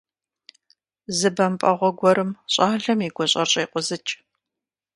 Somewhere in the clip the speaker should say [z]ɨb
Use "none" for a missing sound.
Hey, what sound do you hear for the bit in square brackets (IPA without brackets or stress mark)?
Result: z